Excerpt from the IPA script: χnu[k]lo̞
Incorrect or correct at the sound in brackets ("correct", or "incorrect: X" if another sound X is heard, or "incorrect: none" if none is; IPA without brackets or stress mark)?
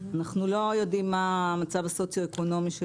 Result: incorrect: none